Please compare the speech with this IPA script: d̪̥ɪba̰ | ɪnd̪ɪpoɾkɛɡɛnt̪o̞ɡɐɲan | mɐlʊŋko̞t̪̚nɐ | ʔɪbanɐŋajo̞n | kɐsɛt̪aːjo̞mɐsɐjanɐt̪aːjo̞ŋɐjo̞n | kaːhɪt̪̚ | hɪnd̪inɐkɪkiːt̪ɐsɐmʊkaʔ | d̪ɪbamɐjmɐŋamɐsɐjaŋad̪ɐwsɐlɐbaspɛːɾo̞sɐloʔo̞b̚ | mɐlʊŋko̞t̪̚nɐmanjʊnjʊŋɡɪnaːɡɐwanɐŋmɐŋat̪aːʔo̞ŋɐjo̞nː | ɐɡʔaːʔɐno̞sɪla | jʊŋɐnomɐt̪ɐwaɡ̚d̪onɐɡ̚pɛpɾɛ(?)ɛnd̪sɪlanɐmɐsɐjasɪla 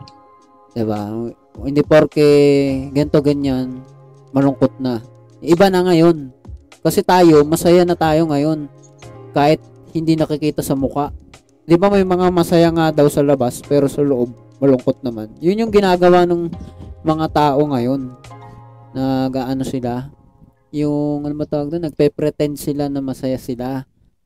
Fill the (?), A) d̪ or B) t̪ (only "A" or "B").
B